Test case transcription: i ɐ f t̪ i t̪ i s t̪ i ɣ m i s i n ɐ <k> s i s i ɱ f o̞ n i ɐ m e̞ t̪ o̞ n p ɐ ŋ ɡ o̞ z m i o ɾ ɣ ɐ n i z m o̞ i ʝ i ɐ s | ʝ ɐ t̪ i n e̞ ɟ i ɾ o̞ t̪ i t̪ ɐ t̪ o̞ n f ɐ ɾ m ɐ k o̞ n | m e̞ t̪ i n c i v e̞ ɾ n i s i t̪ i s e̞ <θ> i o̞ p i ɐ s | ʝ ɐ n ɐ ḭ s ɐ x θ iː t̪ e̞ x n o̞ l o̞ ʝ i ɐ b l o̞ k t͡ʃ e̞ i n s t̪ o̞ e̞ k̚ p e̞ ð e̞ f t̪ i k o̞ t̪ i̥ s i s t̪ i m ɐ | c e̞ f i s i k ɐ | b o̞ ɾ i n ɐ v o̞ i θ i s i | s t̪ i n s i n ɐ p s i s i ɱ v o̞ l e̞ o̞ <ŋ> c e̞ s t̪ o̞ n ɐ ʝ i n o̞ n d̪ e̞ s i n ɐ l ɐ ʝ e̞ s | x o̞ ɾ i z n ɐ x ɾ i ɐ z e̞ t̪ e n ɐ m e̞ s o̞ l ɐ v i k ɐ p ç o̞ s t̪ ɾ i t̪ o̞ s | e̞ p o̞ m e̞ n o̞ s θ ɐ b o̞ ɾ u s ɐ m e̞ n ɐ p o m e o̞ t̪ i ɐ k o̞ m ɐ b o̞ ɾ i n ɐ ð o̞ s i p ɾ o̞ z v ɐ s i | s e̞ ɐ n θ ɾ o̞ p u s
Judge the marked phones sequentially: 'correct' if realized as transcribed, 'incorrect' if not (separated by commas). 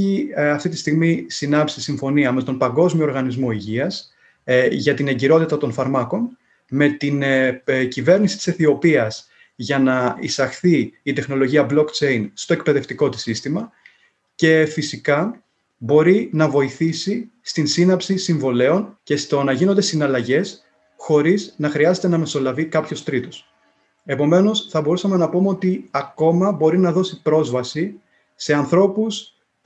incorrect, correct, incorrect